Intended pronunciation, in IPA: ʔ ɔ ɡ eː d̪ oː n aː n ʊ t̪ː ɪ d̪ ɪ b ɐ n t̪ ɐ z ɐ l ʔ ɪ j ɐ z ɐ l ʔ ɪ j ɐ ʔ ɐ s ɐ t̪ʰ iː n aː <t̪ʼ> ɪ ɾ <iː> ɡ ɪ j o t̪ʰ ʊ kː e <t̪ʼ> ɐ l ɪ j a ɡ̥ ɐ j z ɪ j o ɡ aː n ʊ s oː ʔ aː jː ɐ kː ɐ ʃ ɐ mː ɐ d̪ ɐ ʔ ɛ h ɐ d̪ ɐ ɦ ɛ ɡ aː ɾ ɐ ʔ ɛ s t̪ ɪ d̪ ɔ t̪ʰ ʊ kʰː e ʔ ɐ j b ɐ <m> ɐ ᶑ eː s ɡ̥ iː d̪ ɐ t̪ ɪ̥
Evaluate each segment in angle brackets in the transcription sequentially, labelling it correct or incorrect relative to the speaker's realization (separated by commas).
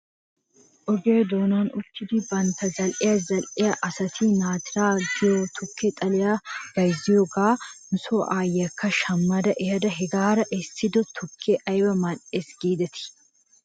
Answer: incorrect, incorrect, correct, correct